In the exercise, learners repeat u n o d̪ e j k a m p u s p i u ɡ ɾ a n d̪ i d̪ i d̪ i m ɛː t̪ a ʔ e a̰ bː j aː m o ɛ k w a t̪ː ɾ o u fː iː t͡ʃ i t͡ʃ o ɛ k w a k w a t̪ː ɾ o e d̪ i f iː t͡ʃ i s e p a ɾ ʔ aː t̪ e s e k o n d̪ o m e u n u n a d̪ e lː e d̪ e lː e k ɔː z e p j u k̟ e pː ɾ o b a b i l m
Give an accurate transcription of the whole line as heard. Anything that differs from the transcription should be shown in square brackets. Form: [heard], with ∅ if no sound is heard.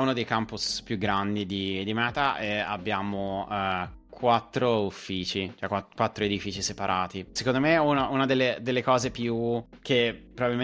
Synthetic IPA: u n o d̪ e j k a m p u s p [j] u ɡ ɾ a n d̪ i d̪ i d̪ i m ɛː t̪ a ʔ e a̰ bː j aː m o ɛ k w a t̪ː ɾ o u fː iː t͡ʃ i t͡ʃ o ɛ k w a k w a t̪ː ɾ o e d̪ i f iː t͡ʃ i s e p a ɾ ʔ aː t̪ [i] s e k o n d̪ o m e u n u n a d̪ e lː e d̪ e lː e k ɔː z e p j u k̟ e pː ɾ o b a b i l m